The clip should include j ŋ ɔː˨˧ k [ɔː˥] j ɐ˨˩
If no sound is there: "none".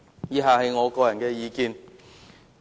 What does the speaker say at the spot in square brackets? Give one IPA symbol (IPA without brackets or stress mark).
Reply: ɔː˧